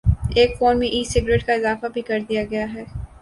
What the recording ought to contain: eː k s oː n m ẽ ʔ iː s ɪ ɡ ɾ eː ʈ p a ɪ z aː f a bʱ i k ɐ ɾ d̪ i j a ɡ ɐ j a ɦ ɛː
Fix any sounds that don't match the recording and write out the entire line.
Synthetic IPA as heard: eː k f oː n m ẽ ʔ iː s ɪ ɡ ɾ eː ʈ k a ɪ z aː f a bʱ i k ɐ ɾ d̪ i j a ɡ ɐ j a ɦ ɛː